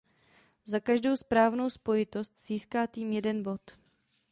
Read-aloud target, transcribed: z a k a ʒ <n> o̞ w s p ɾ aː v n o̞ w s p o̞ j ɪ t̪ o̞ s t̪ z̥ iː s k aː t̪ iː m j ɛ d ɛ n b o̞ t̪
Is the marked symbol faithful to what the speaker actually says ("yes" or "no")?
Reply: no